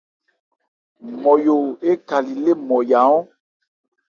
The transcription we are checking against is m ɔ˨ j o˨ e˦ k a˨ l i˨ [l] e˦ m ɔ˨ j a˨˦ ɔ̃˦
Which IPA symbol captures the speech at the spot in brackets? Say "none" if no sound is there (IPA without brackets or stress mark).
l